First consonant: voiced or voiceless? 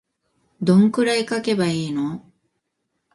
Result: voiced